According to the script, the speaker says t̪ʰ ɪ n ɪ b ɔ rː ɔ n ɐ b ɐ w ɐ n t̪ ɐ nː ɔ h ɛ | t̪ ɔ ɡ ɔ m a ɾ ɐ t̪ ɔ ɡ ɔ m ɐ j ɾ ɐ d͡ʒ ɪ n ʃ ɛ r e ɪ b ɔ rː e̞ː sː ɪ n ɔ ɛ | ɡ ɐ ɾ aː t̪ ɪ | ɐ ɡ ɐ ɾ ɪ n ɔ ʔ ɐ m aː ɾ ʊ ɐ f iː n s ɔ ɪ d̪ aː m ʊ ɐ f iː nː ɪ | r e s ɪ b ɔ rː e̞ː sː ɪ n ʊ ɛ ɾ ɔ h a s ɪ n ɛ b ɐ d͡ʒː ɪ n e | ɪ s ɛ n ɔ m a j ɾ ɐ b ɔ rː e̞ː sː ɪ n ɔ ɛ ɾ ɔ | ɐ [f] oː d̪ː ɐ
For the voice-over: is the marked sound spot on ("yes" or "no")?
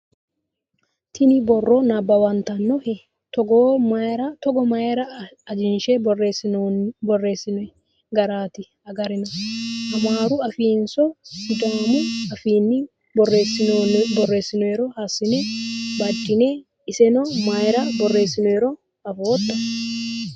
yes